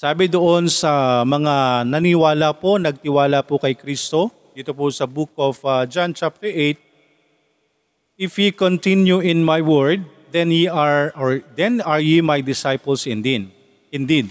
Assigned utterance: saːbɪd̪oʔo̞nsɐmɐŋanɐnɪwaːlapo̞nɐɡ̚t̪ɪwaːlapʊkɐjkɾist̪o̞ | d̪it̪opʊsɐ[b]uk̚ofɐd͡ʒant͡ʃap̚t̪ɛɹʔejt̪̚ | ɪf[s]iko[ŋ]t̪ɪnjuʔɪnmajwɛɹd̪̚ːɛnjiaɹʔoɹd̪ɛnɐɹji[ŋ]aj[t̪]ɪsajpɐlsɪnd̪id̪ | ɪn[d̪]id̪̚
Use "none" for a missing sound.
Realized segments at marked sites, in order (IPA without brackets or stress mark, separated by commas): b, h, n, m, d̪, d̪